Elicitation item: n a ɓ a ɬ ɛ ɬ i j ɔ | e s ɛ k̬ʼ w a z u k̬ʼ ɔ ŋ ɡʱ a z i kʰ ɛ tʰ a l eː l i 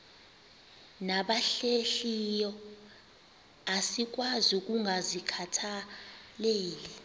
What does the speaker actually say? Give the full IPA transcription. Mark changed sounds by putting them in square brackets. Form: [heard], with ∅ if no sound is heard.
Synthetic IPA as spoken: n a ɓ a ɬ [e] ɬ i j ɔ | [a] s [i] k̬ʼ w a z u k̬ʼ [u] ŋ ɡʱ a z i kʰ [a] tʰ a l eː l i